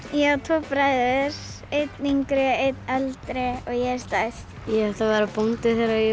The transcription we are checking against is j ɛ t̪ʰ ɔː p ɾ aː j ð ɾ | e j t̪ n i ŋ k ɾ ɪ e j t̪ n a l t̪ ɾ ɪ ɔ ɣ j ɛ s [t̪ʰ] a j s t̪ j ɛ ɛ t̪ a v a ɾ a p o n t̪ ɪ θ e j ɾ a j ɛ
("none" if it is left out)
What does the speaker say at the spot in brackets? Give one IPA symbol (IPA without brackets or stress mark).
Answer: t̪